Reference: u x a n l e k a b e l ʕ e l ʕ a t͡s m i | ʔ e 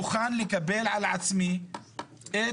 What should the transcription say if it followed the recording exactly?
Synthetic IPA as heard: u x a n l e k a b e l ʕ a l ʕ a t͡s m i | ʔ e